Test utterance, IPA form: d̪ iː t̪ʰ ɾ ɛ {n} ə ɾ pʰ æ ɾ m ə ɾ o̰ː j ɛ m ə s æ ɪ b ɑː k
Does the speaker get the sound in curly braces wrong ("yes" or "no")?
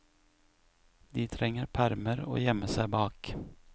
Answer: yes